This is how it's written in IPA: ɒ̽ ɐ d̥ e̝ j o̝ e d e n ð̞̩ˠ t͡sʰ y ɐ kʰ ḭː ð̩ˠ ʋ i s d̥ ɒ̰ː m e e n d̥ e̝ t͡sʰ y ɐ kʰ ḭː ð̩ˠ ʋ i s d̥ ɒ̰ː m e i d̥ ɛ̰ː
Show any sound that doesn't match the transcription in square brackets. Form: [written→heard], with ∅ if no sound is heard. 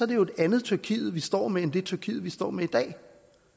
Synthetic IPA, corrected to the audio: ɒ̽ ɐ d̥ e̝ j o̝ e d [e→æ] n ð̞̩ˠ t͡sʰ y ɐ kʰ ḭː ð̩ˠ ʋ i s d̥ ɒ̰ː m e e n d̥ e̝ t͡sʰ y ɐ kʰ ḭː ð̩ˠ ʋ i s d̥ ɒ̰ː m e i d̥ ɛ̰ː

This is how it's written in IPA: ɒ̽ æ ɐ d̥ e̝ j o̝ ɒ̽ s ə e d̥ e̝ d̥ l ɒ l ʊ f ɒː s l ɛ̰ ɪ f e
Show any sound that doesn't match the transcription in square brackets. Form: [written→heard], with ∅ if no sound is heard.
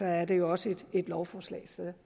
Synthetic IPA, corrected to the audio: ɒ̽ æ ɐ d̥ e̝ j o̝ ɒ̽ s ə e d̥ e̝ d̥ l ɒ [l→∅] ʊ f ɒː s l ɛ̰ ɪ [f→s] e

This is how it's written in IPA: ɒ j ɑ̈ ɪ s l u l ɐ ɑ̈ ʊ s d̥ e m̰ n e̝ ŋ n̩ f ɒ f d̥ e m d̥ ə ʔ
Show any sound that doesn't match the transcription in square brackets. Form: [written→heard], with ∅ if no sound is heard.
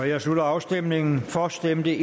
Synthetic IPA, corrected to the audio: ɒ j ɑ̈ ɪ s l u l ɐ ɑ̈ ʊ s d̥ e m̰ n e̝ ŋ n̩ f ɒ [f→s] d̥ e m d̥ ə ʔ

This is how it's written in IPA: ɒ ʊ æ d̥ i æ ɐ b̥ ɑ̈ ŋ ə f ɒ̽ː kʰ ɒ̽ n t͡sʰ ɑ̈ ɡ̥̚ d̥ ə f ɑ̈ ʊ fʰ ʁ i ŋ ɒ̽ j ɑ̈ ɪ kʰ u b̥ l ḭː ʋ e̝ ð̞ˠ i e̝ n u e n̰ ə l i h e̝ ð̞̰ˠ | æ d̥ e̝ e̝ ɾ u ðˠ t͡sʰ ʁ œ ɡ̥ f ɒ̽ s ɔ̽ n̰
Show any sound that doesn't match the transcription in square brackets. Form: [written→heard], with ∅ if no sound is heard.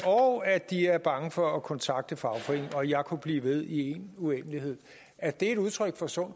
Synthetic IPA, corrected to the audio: ɒ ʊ æ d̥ i æ ɐ b̥ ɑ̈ ŋ ə f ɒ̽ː kʰ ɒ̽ n t͡sʰ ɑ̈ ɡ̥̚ d̥ ə f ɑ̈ ʊ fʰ ʁ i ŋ ɒ̽ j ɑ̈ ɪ kʰ u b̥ l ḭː ʋ e̝ ð̞ˠ i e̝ n u e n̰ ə l i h e̝ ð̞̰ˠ | æ d̥ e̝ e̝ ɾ u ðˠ t͡sʰ ʁ œ ɡ̥ f ɒ̽ s ɔ̽ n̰

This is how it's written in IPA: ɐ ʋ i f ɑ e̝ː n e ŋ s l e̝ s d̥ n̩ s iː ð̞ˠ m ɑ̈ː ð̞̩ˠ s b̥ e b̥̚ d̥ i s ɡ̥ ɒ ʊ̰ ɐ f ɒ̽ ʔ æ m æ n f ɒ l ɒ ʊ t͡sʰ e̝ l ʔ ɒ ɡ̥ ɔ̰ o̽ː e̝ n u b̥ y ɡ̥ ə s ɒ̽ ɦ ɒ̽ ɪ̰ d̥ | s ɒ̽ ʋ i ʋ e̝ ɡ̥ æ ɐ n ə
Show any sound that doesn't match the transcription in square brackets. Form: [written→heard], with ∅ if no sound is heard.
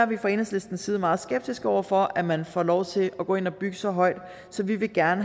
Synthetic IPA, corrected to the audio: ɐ ʋ i f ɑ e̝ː n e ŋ s l e̝ s d̥ n̩ s iː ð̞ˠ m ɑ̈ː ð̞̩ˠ s [b̥→ɡ̥] e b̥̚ d̥ i s ɡ̥ ɒ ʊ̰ ɐ f ɒ̽ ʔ æ m æ n f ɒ l ɒ ʊ t͡sʰ e̝ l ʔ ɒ ɡ̥ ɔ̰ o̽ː e̝ n [u→ɒ] b̥ y ɡ̥ ə s ɒ̽ ɦ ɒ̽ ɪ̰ d̥ | s ɒ̽ ʋ i ʋ e̝ ɡ̥ æ ɐ n ə

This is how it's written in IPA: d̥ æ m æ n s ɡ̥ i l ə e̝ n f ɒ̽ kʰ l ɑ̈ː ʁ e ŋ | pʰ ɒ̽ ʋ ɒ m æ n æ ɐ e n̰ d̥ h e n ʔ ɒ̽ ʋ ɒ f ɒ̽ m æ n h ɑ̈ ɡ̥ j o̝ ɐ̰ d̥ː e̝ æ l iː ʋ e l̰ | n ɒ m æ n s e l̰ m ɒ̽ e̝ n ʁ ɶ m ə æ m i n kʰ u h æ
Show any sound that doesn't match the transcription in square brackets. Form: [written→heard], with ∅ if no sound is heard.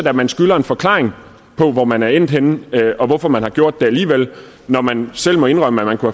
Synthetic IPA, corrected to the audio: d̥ æ m æ n s ɡ̥ [i→y] l [ə→ɐ] e̝ n f ɒ̽ kʰ l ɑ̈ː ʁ e ŋ | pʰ ɒ̽ ʋ ɒ m æ n æ ɐ e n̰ d̥ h e n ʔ ɒ̽ ʋ ɒ f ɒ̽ m æ n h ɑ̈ ɡ̥ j o̝ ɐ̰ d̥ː e̝ æ l iː ʋ e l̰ | n ɒ m æ n s e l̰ m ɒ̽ e̝ n ʁ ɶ m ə æ m [i→æ] n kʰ u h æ

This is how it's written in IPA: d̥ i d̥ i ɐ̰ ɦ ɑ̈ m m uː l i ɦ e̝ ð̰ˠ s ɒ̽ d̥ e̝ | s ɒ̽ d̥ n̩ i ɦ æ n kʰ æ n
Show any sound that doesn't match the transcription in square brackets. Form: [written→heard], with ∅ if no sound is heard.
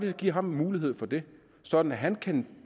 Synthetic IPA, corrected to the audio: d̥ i [d̥→ɡ̥] i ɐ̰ ɦ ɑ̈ m m uː l i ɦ e̝ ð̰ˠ [s→f] ɒ̽ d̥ e̝ | s ɒ̽ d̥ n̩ [i→æ] ɦ æ n kʰ æ n

